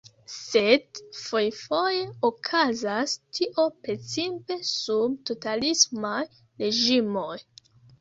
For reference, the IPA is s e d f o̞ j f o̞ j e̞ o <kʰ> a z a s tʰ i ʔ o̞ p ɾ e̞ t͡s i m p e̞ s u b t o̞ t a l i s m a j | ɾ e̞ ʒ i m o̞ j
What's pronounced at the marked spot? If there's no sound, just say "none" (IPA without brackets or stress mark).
kʰ